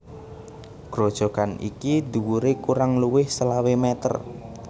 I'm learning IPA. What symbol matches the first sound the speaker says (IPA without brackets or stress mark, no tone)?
ɡ̥